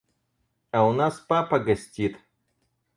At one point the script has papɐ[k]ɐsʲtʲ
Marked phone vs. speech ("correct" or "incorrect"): incorrect